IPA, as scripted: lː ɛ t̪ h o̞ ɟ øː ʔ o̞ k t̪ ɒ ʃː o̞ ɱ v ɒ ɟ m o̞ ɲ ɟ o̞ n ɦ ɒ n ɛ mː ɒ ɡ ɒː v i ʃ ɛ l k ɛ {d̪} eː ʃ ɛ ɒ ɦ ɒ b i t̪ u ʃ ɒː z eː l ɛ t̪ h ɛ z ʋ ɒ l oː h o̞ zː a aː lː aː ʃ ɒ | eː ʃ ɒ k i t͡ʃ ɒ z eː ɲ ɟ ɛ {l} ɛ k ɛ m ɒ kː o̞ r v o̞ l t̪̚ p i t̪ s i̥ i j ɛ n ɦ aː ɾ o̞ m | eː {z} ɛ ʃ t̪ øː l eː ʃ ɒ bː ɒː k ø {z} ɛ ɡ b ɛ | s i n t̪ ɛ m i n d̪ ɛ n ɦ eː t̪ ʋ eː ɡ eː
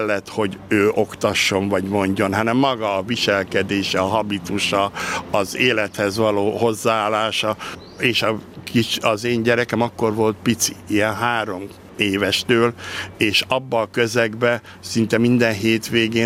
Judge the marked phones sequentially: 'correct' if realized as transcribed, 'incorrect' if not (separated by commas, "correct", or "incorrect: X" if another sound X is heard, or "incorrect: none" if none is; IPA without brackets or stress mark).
correct, incorrect: ɾ, incorrect: v, correct